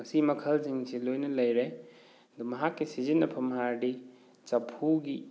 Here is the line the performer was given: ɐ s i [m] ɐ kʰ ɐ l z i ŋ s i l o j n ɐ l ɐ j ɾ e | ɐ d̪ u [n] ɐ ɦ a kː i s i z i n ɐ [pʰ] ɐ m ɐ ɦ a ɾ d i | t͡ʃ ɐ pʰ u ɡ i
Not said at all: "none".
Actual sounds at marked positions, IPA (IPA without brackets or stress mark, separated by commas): m, m, pʰ